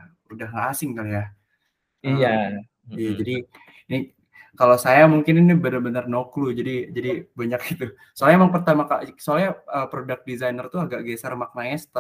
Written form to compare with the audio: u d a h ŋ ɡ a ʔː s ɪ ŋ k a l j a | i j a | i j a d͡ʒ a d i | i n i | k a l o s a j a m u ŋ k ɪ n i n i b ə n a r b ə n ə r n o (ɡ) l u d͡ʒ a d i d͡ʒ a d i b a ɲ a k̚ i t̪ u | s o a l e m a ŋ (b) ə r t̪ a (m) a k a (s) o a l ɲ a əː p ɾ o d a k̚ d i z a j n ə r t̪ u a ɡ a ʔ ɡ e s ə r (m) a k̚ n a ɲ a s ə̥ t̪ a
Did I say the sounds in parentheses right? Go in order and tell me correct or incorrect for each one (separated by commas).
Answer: incorrect, incorrect, correct, correct, correct